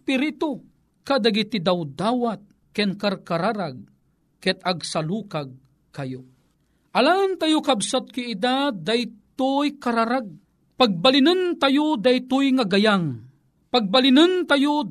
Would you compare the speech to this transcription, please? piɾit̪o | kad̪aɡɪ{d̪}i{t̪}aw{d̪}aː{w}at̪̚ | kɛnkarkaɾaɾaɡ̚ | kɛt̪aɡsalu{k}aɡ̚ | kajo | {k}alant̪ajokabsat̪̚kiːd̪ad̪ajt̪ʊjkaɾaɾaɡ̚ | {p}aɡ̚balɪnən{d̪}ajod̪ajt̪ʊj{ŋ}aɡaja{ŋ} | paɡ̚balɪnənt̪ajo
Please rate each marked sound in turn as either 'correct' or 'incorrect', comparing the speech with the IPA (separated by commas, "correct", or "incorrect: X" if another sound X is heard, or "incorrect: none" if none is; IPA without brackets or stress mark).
incorrect: t̪, incorrect: d̪, correct, correct, correct, incorrect: ʔ, correct, incorrect: t̪, correct, correct